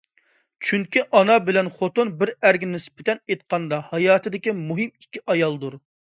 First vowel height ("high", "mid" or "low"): high